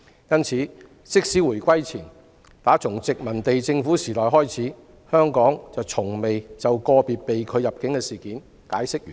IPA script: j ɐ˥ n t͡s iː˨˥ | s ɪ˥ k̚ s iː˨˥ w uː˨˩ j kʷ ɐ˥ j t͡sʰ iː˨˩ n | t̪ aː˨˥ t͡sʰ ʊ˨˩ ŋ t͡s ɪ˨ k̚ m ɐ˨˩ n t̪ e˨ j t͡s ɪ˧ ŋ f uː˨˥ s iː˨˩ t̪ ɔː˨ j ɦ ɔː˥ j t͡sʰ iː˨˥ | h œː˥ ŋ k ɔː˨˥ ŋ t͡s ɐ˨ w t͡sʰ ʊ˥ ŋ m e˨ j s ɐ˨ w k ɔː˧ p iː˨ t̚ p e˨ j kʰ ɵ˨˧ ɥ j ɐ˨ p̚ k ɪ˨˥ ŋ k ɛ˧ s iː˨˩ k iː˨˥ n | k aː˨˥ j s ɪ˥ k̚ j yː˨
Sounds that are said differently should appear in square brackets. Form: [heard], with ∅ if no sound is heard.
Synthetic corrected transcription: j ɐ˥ n [t͡sʰ] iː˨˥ | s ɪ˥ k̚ s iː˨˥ w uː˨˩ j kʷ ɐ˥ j t͡sʰ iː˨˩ n | t̪ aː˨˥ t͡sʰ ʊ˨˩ ŋ t͡s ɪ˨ k̚ m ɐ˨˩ n t̪ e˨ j t͡s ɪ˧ ŋ f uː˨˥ s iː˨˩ t̪ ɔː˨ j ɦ ɔː˥ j t͡sʰ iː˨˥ | h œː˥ ŋ k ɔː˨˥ ŋ t͡s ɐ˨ w t͡sʰ [ʊ˨˩] ŋ m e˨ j [t͡s] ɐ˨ w k ɔː˧ p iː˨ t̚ p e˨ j kʰ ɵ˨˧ ɥ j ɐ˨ p̚ k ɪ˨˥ ŋ k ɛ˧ s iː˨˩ k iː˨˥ n | k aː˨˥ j s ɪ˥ k̚ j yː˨